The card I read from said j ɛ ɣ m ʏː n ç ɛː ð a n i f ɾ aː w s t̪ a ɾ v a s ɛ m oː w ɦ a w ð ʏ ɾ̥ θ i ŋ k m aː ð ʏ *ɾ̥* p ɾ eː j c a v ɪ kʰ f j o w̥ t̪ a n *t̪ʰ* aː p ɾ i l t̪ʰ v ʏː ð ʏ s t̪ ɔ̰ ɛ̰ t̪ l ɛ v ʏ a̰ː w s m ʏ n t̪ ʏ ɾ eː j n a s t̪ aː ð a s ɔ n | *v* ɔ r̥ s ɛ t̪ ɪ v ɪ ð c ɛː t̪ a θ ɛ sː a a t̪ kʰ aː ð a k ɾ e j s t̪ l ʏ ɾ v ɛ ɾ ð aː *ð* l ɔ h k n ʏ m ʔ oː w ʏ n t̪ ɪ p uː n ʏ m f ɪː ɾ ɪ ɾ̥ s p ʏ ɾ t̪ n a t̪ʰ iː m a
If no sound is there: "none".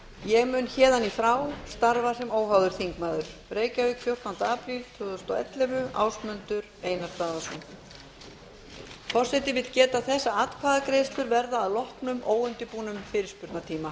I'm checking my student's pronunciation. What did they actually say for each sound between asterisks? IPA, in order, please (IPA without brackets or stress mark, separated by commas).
ɾ̥, t̪, f, ð